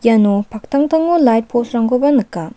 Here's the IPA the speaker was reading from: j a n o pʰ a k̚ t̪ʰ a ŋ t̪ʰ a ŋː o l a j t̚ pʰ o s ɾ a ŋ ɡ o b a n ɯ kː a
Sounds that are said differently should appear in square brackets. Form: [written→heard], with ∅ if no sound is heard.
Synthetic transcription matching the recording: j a n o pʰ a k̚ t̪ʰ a ŋ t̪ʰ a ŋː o l a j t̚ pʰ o s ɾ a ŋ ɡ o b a n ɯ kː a